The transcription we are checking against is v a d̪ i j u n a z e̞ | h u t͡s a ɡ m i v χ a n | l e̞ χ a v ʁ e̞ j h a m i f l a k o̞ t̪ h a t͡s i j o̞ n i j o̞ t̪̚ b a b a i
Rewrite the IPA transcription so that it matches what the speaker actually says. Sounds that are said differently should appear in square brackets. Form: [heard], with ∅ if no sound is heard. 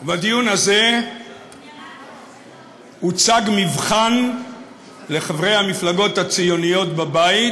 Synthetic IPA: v a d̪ i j u n a z e̞ | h u t͡s a ɡ m i v χ a n | l e̞ χ a v ʁ e̞ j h a m i f l a [ɡ] o̞ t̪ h a t͡s i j o̞ n i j o̞ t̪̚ b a b a i

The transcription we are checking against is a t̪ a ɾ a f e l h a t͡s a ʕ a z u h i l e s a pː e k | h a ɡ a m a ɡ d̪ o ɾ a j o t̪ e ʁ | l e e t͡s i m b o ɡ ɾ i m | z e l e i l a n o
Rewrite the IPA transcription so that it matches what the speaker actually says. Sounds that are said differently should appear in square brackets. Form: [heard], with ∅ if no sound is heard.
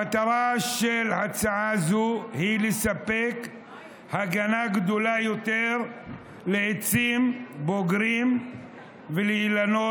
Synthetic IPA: a t̪ a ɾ a [ʃ] e l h a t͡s a ʕ a z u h i l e s a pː e k | h a ɡ a [n] a ɡ d̪ o [l] a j o t̪ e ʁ | l e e t͡s i m b o ɡ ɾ i m | [v] e l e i l a n o

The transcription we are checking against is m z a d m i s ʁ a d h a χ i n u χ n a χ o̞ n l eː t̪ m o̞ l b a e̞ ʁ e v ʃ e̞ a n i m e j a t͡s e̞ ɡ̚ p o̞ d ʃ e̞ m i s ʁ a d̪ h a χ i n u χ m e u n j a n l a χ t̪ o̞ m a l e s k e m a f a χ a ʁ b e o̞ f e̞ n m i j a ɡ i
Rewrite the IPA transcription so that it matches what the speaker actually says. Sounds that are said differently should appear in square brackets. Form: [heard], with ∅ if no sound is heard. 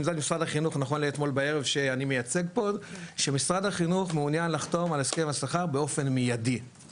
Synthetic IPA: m z a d m i s ʁ a d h a χ i n u χ n a χ o̞ n l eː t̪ m o̞ l b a e̞ ʁ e v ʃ e̞ a n i m e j a t͡s e̞ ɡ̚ p o̞ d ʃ e̞ m i s ʁ a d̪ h a χ i n u χ m e u n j a n l a χ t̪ o̞ m a l e s k e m a [s] a χ a ʁ b e o̞ f e̞ n m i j a [d] i

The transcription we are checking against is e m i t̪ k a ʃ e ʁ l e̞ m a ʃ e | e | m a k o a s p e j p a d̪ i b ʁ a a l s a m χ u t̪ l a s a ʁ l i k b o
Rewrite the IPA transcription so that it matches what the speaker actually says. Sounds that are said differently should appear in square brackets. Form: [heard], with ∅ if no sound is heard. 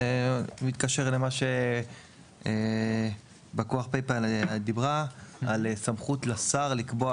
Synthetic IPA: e m i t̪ k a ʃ e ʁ l e̞ m a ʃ e | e | [b] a k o a [χ] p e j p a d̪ i b ʁ a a l s a m χ u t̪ l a s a ʁ l i k b o

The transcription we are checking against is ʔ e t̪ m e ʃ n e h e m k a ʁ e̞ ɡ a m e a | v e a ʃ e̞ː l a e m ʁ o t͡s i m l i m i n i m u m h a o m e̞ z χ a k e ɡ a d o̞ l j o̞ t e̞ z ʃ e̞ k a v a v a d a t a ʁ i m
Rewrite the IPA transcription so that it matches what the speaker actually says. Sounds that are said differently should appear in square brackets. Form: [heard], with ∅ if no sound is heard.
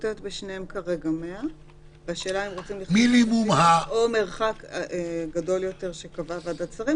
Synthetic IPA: [t] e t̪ [b] e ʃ n e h e m k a ʁ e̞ ɡ a m e a | v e a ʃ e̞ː l a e m ʁ o t͡s i m l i m i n i m u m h a o m e̞ [ʁ] χ a k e ɡ a d o̞ l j o̞ t e̞ [ʁ] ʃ e̞ k a v a v a d a [t͡s] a ʁ i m

